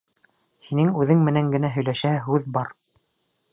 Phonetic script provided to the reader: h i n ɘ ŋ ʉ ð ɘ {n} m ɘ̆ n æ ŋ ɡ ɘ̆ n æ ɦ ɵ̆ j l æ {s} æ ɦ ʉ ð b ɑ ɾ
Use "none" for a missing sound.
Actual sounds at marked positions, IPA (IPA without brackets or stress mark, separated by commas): ŋ, ʃ